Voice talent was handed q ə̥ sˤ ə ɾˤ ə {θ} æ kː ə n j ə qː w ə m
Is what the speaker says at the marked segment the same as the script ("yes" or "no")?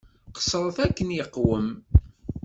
yes